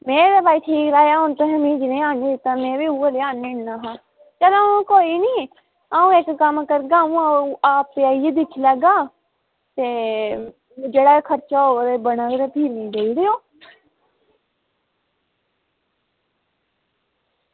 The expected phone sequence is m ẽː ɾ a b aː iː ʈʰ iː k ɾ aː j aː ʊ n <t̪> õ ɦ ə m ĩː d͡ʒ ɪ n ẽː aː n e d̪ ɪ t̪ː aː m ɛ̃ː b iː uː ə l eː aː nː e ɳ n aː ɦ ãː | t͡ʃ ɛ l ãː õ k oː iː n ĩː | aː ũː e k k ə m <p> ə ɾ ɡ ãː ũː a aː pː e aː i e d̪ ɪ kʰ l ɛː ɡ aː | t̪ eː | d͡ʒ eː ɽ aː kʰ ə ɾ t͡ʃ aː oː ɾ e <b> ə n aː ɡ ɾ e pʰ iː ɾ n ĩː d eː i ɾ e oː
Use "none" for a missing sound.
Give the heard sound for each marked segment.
t̪, k, b

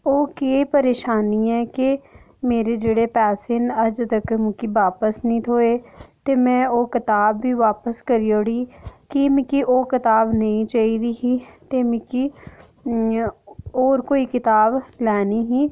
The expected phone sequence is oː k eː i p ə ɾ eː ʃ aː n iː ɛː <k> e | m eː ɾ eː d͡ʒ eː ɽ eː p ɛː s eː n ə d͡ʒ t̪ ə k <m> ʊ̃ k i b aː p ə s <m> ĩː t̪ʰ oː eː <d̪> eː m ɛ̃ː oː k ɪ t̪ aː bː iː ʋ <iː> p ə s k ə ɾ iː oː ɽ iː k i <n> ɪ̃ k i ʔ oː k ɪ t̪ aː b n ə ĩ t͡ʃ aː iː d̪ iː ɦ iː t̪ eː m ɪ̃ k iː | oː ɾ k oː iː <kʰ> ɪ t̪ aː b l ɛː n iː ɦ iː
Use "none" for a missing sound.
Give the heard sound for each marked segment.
k, m, n, t̪, aː, m, k

